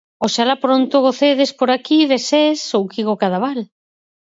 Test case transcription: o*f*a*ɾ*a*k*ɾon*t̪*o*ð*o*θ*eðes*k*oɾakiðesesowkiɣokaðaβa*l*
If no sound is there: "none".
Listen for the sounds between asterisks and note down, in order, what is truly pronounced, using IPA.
ʃ, l, p, t̪, ɣ, θ, p, l

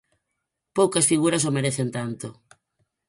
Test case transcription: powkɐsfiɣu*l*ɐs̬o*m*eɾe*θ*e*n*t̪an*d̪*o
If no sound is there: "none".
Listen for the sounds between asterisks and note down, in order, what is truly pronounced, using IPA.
ɾ, m, θ, n, t̪

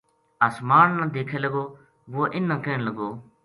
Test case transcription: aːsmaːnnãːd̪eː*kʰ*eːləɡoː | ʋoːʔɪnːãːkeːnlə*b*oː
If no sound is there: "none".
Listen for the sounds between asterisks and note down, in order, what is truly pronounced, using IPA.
kʰ, ɡ

